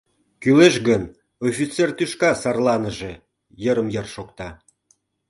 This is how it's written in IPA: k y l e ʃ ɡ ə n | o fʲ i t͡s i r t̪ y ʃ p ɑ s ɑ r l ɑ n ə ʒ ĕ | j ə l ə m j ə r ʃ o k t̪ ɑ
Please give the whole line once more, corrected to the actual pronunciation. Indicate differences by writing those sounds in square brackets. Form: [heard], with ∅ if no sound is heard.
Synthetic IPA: k y l e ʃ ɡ ə n | o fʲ i t͡s [e] r t̪ y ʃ [k] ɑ s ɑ r l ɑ n ə ʒ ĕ | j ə [ɾ] ə m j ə r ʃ o k t̪ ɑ